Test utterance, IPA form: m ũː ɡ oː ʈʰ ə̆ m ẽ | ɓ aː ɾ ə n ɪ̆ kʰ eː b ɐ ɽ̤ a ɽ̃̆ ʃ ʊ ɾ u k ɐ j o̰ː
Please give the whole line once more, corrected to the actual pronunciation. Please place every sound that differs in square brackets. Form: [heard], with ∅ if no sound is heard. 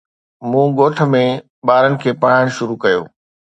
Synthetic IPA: m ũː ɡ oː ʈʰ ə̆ m ẽ | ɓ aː ɾ ə n ɪ̆ kʰ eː [p] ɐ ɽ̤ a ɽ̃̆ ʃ ʊ ɾ u k ɐ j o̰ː